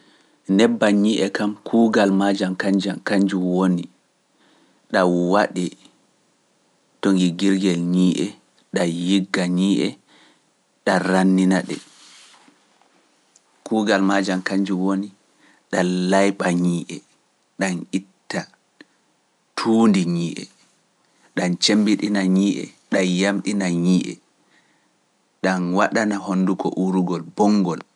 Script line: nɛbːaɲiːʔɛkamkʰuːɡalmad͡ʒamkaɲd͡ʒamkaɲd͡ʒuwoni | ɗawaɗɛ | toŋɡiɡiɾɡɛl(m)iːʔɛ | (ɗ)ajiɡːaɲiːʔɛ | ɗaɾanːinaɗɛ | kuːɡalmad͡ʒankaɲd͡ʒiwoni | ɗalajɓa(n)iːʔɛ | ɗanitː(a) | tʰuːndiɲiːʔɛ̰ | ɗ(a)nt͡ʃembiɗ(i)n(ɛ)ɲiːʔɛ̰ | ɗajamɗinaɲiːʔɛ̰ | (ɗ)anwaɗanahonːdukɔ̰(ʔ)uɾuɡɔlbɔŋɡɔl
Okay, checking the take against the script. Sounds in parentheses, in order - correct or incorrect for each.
incorrect, correct, incorrect, correct, correct, correct, incorrect, correct, correct

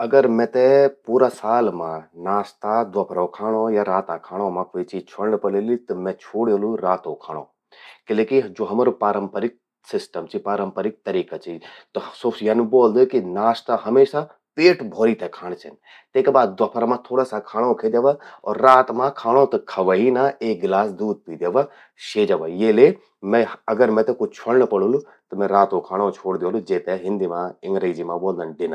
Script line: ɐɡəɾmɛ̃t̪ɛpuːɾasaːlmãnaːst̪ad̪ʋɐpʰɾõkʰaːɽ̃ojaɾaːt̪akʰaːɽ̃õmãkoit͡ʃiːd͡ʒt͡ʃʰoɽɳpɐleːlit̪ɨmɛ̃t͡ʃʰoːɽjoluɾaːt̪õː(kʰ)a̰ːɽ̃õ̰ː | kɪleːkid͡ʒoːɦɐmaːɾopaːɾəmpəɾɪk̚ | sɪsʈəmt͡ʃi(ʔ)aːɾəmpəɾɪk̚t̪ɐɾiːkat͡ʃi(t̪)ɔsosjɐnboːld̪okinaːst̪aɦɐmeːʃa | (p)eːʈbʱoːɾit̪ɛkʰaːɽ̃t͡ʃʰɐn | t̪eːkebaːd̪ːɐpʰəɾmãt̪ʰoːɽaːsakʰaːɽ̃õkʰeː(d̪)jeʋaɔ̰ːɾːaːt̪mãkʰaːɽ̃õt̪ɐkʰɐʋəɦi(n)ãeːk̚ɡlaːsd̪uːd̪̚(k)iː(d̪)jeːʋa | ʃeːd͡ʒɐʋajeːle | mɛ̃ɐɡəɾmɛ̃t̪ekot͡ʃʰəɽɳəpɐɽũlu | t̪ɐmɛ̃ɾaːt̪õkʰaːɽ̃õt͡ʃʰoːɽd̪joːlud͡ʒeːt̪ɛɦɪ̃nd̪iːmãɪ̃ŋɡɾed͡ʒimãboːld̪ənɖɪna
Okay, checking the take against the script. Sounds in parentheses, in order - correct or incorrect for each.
correct, incorrect, correct, correct, correct, correct, incorrect, correct

